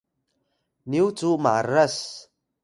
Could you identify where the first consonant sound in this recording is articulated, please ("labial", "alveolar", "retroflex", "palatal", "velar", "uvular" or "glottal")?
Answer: alveolar